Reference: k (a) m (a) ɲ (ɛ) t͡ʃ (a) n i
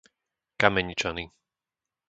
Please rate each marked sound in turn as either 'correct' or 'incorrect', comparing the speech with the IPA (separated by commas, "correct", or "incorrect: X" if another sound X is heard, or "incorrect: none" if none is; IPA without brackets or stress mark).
correct, incorrect: ɛ, incorrect: i, correct